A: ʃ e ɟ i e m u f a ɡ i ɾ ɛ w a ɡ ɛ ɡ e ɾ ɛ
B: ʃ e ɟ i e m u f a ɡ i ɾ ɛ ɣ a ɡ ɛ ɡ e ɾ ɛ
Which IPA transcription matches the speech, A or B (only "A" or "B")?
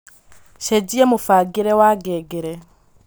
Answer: A